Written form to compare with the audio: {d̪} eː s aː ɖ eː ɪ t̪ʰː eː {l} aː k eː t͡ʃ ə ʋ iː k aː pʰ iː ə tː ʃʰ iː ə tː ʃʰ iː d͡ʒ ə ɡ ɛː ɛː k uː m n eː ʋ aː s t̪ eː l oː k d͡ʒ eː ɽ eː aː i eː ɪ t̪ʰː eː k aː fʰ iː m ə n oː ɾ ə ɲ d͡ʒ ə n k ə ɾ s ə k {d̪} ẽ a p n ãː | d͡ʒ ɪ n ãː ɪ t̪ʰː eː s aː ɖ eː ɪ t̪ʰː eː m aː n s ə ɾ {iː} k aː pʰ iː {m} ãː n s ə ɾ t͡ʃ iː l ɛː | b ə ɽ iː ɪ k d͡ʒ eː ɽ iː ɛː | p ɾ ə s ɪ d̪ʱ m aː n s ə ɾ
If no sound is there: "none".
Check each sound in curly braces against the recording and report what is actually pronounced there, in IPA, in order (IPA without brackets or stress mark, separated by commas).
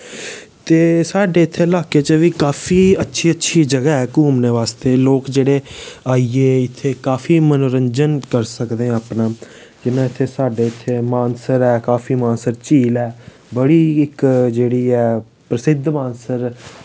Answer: t̪, l, d̪, ɛː, m